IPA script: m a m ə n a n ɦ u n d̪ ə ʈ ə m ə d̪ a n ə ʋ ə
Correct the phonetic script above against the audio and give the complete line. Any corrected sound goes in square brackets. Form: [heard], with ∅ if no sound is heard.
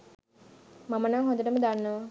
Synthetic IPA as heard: m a m ə n a [ŋ] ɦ [o] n d̪ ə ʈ ə m ə d̪ a [nː] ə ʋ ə

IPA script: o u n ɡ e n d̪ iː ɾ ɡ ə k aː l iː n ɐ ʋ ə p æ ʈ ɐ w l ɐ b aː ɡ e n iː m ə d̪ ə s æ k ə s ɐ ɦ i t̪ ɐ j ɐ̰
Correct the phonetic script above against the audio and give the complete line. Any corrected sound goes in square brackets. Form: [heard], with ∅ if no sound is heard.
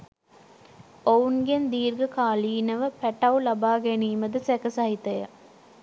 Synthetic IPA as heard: o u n ɡ e n d̪ iː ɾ ɡ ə k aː l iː n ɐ ʋ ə p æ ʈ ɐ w l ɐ b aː ɡ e n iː m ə d̪ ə s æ k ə s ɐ ɦ i t̪ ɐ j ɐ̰

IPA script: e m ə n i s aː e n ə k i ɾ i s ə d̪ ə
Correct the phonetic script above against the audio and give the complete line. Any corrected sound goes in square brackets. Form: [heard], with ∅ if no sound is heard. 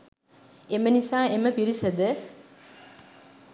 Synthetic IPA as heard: e m ə n i s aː e [m] ə [p] i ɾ i s ə d̪ ə

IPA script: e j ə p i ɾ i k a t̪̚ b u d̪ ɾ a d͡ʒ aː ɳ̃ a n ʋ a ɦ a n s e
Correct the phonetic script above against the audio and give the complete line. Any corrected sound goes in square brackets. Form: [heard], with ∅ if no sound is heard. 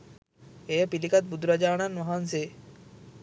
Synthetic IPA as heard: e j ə p i [l] i k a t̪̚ b u d̪ ɾ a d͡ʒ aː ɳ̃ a n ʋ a ɦ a n s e

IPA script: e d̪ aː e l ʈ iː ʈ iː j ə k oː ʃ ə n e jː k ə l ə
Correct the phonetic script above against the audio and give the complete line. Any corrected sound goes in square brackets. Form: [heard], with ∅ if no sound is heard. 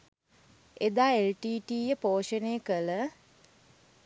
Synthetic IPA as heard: e d̪ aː e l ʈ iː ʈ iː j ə [p] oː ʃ ə n e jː k ə l ə

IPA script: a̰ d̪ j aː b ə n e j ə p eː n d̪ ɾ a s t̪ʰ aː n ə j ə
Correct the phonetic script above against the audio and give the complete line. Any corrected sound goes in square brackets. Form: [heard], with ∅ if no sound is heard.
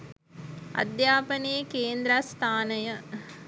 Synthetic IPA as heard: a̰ d̪ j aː [p] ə n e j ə [k] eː n d̪ ɾ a s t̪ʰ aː n ə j ə

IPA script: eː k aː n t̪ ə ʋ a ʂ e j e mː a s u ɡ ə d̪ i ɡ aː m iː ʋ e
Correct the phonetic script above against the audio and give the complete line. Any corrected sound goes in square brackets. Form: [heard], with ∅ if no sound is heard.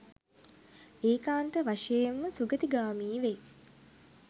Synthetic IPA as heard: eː k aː n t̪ ə ʋ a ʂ e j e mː [ə] s u ɡ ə [t̪] i ɡ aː m iː ʋ e

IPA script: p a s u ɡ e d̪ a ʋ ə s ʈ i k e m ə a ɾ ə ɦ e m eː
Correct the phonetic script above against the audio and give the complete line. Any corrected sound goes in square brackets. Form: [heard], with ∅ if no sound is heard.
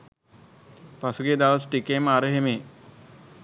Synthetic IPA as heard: p a s u ɡ e d̪ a ʋ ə s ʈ i k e m ə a ɾ ə ɦ e m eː

